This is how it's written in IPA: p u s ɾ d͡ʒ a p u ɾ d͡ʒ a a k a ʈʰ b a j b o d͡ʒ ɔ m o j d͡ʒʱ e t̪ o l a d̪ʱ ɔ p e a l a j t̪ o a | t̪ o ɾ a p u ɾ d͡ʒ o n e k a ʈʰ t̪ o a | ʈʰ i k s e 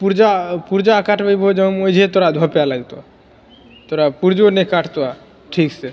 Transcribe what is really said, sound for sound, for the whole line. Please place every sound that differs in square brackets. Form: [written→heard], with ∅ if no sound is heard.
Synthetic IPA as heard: p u [s→∅] ɾ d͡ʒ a p u ɾ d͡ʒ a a k a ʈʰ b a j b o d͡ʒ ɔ m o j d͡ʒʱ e t̪ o [l→ɾ] a d̪ʱ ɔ p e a l a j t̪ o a | t̪ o ɾ a p u ɾ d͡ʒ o n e k a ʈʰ t̪ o a | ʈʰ i k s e